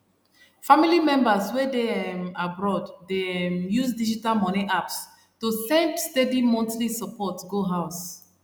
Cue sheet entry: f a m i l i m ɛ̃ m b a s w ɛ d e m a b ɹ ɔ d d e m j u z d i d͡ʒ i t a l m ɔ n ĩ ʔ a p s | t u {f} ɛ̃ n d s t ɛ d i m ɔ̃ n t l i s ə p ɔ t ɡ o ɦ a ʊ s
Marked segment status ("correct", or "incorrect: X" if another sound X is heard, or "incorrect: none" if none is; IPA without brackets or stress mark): incorrect: s